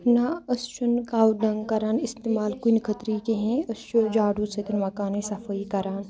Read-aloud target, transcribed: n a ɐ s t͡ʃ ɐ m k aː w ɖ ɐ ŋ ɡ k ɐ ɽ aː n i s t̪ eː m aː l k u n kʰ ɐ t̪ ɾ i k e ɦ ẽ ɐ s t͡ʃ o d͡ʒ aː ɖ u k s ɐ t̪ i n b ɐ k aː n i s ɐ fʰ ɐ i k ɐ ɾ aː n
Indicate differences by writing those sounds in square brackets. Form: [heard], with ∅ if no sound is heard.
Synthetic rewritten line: n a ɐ s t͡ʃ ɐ [n] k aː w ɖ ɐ ŋ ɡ k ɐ [ɾ] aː n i s t̪ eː m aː l k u n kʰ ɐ t̪ ɾ i k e ɦ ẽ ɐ s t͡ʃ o d͡ʒ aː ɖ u [∅] s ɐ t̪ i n [m] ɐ k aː n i s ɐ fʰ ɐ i k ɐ ɾ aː n